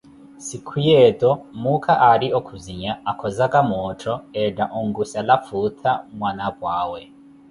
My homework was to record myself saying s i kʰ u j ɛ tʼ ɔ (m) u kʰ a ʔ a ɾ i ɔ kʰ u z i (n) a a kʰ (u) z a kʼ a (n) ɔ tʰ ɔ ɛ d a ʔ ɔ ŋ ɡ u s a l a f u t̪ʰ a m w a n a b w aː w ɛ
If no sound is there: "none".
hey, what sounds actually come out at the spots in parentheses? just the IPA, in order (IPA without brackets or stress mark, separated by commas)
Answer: m, ɲ, ɔ, m